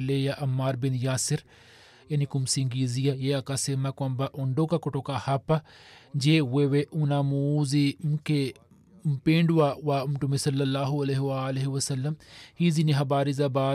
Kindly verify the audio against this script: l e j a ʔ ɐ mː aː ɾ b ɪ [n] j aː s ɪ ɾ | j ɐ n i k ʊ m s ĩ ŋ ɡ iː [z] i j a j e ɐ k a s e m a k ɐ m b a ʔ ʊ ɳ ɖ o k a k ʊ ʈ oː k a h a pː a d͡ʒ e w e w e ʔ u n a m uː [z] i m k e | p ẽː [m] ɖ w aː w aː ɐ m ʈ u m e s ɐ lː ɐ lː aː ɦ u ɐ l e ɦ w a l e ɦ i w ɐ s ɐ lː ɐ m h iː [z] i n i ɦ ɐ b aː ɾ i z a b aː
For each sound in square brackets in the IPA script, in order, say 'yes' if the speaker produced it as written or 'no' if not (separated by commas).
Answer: yes, yes, yes, no, yes